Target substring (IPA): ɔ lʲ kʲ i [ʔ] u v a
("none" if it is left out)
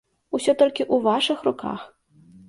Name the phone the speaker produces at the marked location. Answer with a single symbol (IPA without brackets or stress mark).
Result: ʔ